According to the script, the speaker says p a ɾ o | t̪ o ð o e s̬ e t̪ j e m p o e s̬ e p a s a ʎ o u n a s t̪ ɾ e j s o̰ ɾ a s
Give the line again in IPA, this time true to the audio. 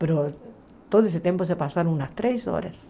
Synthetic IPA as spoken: p e ɾ o | t̪ o ð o e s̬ e t̪ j e m p o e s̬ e p a s a ɾ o u n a s t̪ ɾ e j s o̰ ɾ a s